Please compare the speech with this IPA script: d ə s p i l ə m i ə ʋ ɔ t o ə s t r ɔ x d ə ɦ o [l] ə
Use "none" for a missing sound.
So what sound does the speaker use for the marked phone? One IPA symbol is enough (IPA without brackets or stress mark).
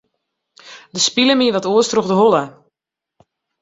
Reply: l